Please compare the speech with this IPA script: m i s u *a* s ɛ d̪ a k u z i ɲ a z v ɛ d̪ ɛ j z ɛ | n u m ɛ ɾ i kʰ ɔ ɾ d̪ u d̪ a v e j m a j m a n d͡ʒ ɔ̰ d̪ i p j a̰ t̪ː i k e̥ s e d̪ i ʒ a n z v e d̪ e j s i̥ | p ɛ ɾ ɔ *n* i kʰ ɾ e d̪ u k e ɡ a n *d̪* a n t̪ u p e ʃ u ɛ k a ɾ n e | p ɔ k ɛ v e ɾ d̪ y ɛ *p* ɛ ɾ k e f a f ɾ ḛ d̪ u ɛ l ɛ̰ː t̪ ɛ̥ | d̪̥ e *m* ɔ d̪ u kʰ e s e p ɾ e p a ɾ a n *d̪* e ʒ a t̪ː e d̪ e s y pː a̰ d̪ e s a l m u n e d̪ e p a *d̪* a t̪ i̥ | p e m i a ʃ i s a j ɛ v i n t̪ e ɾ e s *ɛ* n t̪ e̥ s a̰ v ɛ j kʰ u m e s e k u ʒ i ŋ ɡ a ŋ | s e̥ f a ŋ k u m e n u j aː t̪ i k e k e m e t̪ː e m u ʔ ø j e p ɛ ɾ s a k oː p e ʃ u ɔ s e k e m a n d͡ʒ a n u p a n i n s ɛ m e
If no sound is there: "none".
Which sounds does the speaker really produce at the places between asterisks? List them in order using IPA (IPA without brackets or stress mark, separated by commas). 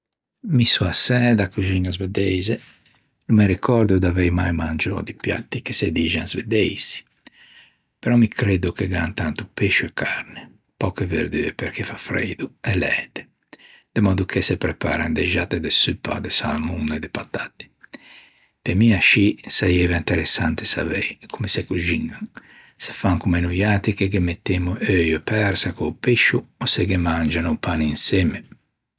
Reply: a, m, t̪, p, m, d̪, t̪, a